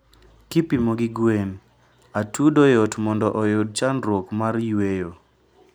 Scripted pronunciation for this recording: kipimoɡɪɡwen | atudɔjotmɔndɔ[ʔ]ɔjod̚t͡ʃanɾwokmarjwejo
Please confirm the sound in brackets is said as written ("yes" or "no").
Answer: yes